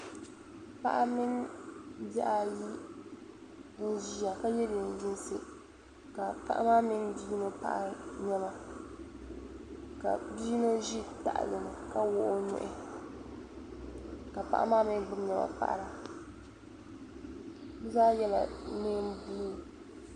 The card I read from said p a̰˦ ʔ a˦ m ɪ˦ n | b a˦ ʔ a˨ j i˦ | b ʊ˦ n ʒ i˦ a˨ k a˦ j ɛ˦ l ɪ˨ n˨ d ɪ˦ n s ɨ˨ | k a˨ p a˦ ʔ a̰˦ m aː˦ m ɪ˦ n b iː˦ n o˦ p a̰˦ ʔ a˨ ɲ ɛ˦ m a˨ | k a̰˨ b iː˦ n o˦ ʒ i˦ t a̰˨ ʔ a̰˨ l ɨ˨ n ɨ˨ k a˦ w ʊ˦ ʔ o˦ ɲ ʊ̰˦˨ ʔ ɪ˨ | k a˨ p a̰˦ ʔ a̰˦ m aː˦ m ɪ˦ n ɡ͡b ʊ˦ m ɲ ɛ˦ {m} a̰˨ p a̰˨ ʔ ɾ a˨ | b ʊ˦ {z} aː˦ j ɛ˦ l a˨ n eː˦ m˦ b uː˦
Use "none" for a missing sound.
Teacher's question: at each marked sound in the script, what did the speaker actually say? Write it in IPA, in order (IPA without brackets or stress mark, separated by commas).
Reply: m, z